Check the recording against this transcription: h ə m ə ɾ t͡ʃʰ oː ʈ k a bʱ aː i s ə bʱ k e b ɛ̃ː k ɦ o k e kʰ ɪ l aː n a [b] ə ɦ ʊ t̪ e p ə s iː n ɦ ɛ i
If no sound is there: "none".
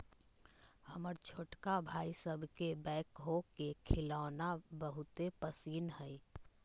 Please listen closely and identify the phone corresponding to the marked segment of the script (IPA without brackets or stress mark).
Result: b